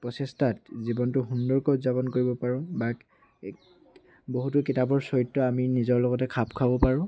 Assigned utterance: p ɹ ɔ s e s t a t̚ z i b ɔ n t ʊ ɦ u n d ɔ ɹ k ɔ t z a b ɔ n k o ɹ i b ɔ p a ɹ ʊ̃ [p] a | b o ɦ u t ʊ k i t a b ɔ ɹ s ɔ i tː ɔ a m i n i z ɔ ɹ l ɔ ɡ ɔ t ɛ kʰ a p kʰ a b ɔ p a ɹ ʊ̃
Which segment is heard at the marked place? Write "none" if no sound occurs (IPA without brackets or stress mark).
b